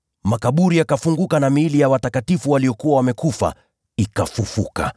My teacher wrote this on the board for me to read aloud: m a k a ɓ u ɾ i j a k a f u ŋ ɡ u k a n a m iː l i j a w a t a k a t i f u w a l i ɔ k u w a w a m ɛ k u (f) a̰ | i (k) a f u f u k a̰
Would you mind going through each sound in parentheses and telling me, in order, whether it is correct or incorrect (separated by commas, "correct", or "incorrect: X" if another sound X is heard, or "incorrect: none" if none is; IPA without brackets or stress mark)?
correct, correct